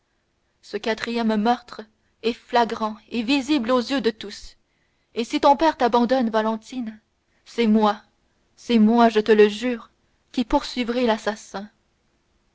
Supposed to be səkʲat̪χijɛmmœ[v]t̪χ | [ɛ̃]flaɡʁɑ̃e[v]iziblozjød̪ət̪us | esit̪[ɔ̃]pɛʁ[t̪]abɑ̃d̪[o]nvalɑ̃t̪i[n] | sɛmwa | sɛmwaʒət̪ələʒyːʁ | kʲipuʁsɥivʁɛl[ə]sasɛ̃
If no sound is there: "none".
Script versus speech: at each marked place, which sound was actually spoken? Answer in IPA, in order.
ʁ, ɛ, v, ɔ̃, t̪, ɔ, n, a

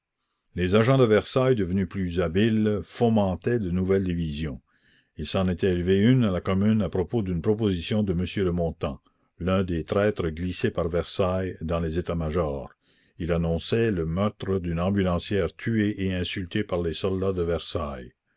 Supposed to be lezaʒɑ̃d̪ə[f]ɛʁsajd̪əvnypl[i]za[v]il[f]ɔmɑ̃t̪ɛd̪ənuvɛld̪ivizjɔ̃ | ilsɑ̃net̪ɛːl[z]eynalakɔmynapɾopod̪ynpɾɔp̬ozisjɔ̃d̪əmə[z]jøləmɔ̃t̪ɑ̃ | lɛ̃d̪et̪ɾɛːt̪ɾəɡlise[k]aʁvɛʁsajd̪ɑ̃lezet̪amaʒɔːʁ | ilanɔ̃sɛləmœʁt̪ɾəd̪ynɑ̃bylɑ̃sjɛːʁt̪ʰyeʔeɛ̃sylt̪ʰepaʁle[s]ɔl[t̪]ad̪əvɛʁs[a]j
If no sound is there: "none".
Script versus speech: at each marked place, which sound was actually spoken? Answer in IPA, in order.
v, y, b, f, v, s, p, s, d̪, a

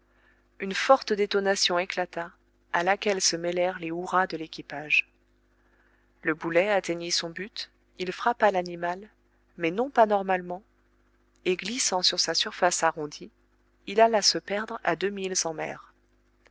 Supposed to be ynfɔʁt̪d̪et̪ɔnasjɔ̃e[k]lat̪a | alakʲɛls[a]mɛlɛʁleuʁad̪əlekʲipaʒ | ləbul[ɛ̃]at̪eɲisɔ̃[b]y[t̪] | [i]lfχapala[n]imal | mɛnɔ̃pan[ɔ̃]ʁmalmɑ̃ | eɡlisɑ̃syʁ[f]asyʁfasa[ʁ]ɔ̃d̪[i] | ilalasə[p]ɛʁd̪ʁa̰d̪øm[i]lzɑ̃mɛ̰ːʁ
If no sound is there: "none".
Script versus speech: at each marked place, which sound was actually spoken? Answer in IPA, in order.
k, ə, ɛ, b, t̪, i, n, ɔ, s, ʁ, i, p, i

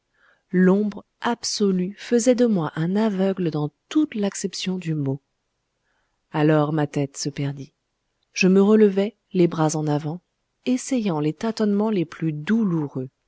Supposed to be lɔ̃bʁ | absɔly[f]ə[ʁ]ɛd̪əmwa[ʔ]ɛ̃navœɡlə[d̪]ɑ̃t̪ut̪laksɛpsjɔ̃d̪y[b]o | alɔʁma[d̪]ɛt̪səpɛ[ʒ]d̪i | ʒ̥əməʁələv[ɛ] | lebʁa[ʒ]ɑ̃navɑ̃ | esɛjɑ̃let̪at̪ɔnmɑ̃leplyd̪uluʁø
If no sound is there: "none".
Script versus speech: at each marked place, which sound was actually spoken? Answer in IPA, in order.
f, z, ʔ, d̪, m, t̪, ʁ, ɛ, z

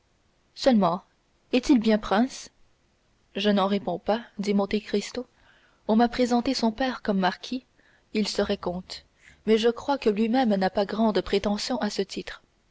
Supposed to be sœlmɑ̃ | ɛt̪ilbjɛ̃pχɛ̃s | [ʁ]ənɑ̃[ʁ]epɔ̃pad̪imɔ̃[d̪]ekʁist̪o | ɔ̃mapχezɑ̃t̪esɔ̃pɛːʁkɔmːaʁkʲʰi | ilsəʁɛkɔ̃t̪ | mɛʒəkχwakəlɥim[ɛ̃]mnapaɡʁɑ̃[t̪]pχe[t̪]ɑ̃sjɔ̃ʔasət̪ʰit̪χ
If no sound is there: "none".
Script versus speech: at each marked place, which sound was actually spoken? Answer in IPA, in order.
ʒ, ʁ, t̪, ɛ, d̪, t̪

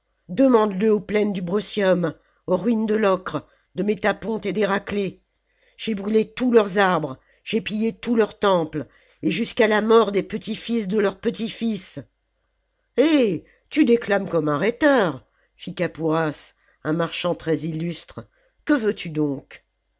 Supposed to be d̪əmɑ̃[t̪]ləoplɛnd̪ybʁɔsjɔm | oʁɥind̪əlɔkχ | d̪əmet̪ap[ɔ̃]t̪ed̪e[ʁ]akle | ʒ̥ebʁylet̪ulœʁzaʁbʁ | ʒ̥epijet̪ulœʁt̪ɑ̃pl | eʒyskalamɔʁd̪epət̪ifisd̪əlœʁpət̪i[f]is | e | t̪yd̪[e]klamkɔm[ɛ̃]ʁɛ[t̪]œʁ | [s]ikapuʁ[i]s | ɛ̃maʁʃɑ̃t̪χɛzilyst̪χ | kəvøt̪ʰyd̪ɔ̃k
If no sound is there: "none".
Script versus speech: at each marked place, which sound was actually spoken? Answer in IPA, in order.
d̪, ɔ̃, ʁ, f, e, ɛ̃, t̪, f, a

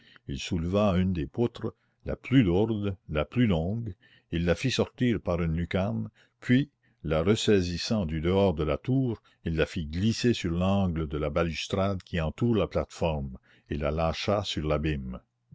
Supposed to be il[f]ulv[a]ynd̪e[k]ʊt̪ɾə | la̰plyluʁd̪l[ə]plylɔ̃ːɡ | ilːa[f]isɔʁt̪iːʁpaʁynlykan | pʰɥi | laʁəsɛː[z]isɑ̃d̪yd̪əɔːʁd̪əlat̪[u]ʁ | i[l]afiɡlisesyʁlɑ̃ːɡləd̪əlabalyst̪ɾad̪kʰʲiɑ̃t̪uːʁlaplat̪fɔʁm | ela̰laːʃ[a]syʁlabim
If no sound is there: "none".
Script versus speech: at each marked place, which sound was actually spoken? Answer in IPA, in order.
s, a, p, a, f, z, uː, lː, a

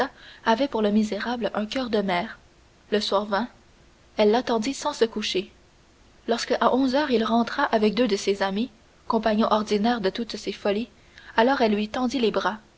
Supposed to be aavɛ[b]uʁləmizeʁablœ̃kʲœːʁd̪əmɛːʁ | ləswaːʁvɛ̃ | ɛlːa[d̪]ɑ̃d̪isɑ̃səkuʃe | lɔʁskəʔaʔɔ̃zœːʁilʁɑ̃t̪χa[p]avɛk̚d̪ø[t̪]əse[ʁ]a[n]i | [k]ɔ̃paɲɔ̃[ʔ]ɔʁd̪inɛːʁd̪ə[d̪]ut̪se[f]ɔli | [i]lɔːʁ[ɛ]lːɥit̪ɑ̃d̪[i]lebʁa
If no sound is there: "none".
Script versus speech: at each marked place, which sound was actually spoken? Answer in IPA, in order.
p, t̪, ʔ, d̪, z, m, k, ʔ, t̪, f, a, ɛ, i

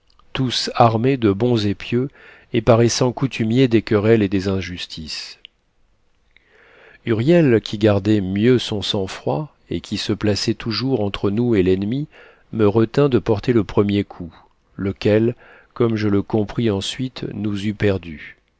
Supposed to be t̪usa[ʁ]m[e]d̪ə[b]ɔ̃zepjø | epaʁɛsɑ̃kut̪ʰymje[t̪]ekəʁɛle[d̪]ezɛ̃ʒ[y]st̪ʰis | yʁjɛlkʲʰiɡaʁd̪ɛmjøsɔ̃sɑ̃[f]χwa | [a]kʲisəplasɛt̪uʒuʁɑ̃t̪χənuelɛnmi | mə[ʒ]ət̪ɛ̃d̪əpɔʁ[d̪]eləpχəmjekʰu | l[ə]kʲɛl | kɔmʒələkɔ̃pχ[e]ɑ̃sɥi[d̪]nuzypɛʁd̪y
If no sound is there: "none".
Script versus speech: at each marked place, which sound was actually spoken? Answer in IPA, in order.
ʁ, e, b, d̪, d̪, y, f, e, ʁ, t̪, ə, i, t̪

